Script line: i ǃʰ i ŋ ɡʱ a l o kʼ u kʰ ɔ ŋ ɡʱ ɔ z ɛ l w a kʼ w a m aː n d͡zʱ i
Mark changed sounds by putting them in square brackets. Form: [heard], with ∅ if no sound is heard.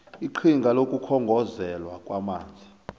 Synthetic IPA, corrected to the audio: i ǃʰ i ŋ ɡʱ a l o kʼ u kʰ ɔ ŋ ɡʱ ɔ z ɛ l w a kʼ w a m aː n d͡zʱ i